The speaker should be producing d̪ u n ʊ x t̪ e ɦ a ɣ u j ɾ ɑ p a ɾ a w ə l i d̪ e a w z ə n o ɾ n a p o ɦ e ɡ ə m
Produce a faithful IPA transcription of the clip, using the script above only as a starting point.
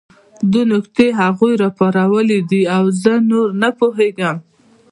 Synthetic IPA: d̪ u n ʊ k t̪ e ɦ a ɣ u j ɾ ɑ p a ɾ a w ə l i d̪ i a w z ə n o ɾ n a p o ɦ e ɡ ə m